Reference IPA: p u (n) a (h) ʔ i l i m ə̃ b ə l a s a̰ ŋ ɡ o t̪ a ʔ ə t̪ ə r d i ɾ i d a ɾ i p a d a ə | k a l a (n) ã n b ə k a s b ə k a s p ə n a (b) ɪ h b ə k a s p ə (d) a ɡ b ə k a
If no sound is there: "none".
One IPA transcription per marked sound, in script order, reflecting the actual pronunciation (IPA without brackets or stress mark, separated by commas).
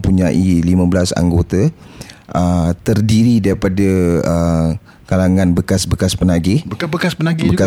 ɲ, none, ŋ, ɡ, n